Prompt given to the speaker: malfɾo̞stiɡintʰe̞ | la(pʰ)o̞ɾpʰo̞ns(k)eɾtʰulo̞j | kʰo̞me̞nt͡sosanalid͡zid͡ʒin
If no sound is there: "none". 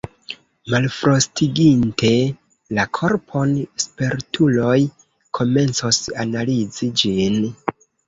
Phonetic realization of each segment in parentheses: kʰ, p

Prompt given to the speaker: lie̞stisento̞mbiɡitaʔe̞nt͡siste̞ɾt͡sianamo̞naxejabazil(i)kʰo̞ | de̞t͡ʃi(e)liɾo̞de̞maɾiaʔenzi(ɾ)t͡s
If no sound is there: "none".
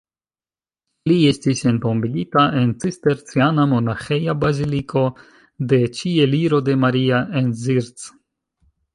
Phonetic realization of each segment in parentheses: i, e, ɾ

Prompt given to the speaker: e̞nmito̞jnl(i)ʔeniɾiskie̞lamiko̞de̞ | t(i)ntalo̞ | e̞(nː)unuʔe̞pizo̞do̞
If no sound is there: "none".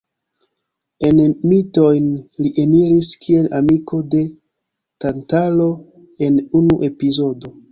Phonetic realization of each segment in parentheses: i, a, n

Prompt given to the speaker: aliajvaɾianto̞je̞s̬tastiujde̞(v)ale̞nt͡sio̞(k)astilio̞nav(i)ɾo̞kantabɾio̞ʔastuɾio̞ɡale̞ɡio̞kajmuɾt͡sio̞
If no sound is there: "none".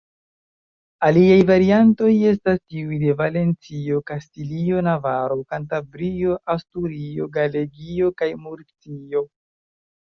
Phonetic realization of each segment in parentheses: v, k, a

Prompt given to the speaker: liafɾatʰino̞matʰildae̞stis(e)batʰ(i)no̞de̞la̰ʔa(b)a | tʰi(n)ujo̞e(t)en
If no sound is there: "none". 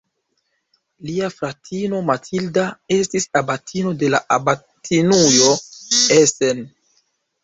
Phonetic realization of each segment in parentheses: a, i, b, n, s

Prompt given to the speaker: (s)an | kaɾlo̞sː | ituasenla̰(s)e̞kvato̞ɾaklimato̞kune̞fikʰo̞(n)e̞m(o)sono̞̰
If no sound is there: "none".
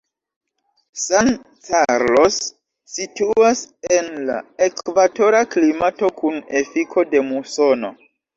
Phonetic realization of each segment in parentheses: s, none, d, u

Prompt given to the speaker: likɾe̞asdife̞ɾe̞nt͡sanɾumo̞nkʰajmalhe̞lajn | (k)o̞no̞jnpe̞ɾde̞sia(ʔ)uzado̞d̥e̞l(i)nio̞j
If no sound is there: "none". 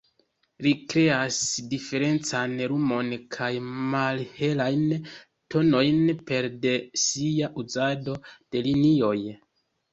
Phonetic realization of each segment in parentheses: t, ʔ, i

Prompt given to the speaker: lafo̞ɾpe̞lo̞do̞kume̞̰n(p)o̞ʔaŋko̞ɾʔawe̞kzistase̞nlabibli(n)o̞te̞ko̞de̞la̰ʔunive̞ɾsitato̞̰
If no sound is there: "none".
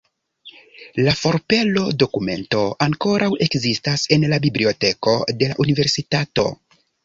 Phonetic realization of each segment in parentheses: t, none

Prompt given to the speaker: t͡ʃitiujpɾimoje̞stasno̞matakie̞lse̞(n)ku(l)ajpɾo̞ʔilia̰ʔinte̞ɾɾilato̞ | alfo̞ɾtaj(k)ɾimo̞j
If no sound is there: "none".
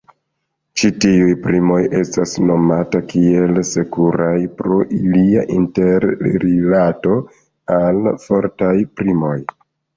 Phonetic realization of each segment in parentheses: none, ɾ, p

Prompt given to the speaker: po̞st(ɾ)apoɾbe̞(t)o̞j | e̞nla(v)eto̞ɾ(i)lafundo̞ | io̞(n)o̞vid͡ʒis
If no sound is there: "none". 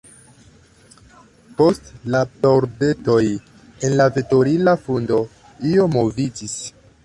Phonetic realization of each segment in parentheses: l, t, v, i, m

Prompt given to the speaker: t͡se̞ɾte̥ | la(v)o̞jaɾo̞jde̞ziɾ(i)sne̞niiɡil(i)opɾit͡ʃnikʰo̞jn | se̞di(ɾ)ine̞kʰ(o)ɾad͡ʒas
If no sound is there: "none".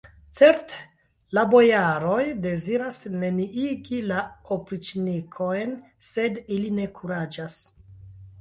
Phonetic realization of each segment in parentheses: b, a, a, l, u

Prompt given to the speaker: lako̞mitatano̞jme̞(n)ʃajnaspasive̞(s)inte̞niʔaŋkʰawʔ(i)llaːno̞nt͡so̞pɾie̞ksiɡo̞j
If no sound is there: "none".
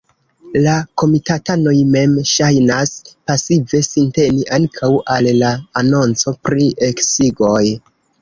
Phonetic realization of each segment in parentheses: m, s, a

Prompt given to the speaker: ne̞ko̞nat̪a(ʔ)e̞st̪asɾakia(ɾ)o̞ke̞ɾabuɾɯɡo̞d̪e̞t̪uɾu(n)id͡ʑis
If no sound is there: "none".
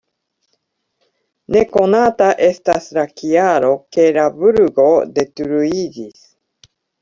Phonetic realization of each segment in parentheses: ʔ, ɾ, none

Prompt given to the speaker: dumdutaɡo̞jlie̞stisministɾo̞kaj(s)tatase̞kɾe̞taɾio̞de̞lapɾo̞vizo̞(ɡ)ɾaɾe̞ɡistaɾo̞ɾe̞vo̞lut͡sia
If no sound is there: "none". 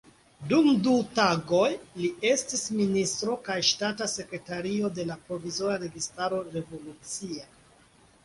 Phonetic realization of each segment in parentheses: ʃ, none

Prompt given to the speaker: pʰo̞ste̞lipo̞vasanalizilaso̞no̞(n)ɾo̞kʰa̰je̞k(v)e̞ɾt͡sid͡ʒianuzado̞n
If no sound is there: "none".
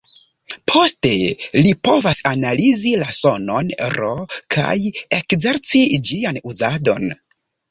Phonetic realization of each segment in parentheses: n, z

